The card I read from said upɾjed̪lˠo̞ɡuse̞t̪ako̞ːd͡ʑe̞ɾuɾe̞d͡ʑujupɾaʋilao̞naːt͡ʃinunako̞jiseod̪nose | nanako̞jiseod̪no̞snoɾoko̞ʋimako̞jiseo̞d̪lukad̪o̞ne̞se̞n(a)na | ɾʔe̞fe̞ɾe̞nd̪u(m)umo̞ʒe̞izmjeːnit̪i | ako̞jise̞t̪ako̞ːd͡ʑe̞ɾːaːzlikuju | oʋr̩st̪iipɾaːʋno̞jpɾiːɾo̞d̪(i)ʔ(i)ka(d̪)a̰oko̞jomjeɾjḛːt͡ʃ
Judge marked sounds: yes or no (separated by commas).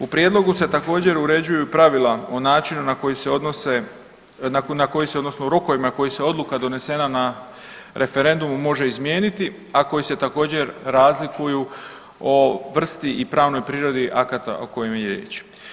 yes, yes, yes, no, no